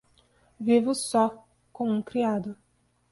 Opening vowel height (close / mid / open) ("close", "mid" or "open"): close